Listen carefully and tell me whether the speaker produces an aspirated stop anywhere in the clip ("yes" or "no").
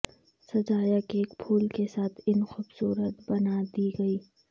yes